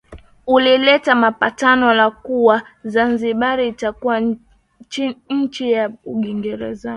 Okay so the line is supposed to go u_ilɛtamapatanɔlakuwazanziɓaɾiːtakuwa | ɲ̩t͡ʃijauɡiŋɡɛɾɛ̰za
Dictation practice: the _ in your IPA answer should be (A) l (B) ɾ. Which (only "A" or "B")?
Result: A